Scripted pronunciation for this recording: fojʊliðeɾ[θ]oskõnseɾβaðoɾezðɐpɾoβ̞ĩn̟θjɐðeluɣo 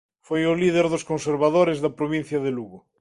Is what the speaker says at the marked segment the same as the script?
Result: no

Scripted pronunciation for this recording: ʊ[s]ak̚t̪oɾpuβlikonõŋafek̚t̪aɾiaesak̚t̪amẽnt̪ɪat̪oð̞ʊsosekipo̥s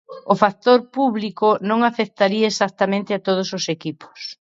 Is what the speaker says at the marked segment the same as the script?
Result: no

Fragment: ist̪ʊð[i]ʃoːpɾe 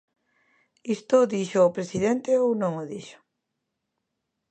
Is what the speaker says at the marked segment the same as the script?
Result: yes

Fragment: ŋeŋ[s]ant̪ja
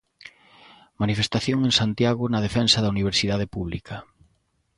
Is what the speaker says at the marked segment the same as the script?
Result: yes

